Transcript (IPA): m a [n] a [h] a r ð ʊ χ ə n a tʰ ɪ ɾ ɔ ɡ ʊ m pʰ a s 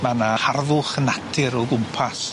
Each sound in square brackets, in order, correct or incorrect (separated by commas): correct, correct